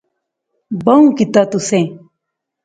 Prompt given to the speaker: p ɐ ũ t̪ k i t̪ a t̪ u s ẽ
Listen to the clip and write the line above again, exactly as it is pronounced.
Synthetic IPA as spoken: b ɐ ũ k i t̪ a t̪ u s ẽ